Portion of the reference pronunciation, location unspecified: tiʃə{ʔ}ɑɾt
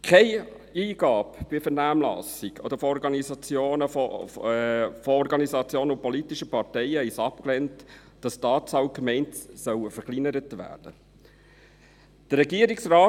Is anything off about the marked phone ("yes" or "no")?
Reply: yes